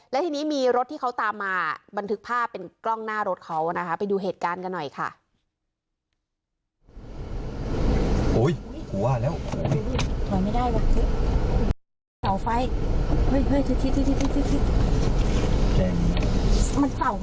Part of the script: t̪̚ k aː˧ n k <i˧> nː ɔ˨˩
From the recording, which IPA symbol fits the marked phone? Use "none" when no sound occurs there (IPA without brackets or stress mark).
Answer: a˧